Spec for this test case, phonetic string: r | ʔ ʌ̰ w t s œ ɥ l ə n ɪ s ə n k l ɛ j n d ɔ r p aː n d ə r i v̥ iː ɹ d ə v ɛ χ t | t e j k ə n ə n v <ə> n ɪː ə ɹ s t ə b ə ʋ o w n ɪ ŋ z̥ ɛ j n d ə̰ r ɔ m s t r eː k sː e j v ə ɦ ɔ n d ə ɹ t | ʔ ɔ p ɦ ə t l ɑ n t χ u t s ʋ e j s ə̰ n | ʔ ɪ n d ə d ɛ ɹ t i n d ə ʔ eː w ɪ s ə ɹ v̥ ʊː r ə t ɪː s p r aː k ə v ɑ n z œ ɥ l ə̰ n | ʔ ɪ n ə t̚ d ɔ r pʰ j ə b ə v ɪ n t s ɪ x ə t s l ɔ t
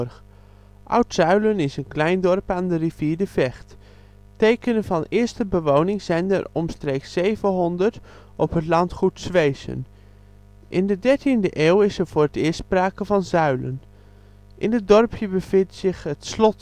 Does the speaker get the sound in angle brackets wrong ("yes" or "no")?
yes